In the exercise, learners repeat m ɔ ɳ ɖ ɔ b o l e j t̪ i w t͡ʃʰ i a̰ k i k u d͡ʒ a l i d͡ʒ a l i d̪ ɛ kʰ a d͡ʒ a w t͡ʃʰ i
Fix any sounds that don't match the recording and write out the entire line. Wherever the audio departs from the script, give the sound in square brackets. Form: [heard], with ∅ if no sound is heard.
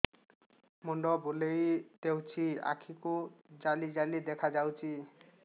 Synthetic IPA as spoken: m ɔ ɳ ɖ ɔ b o l e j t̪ [e] w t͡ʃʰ i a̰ [kʰ] i k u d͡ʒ a l i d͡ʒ a l i d̪ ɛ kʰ a d͡ʒ a w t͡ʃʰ i